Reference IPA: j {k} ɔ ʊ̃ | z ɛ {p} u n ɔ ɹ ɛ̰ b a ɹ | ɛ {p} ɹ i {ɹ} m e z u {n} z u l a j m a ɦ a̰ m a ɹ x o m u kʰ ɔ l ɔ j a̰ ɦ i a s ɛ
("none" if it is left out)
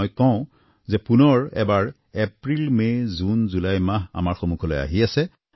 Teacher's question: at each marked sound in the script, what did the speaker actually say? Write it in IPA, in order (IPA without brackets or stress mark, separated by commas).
k, p, p, l, n